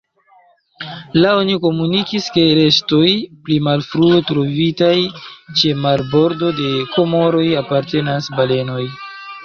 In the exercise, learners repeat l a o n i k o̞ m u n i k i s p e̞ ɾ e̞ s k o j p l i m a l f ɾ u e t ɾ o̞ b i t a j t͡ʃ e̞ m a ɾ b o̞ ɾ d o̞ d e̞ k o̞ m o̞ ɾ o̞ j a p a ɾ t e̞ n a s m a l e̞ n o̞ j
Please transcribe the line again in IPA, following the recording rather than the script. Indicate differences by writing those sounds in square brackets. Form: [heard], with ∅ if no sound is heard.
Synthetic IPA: l a o n i k o̞ m u n i k i s [k] e̞ ɾ e̞ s [t] o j p l i m a l f ɾ u e t ɾ o̞ [v] i t a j t͡ʃ e̞ m a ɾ b o̞ ɾ d o̞ d e̞ k o̞ m o̞ ɾ o̞ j a p a ɾ t e̞ n a s [b] a l e̞ n o̞ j